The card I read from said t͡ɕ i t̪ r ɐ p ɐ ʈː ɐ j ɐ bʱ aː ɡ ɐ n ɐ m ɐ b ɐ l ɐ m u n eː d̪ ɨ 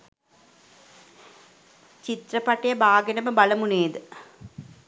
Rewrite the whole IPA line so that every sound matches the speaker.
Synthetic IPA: t͡ɕ i t̪ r ɐ p ɐ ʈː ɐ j ɐ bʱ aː ɡ ɐ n ɐ m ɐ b ɐ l ɐ m u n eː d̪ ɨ